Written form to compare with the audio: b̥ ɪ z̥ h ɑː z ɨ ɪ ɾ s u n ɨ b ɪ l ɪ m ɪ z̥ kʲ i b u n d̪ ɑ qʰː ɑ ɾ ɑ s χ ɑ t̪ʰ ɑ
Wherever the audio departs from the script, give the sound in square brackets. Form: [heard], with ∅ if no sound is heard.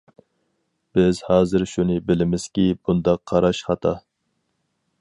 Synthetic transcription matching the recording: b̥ ɪ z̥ h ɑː z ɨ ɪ ɾ [ʃ] u n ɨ b ɪ l ɪ m ɪ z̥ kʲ i b u n d̪ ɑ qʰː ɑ ɾ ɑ [ʃ] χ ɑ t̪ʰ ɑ